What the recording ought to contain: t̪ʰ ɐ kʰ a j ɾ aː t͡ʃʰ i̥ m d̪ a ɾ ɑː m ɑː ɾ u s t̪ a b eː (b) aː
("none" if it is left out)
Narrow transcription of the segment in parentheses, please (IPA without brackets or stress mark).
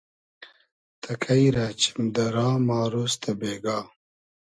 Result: ɡ